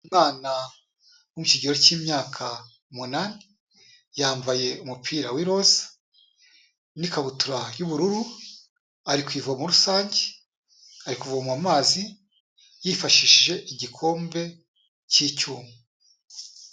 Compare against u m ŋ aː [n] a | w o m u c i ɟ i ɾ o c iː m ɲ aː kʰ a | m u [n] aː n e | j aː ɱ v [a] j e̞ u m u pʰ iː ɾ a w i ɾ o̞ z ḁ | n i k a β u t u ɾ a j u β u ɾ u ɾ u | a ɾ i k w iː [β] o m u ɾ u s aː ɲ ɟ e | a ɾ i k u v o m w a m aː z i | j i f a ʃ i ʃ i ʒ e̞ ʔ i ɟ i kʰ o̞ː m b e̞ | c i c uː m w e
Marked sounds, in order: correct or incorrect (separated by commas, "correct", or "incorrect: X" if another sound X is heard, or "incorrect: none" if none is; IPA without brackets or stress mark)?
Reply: correct, correct, correct, incorrect: v